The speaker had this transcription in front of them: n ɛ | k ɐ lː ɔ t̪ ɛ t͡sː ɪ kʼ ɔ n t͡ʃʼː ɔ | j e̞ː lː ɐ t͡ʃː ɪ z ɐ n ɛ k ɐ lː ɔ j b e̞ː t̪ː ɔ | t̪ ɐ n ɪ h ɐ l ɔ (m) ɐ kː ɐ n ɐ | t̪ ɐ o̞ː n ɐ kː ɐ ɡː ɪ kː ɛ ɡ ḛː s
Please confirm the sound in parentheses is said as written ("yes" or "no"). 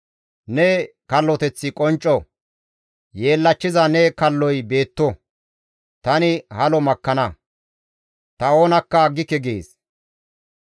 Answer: yes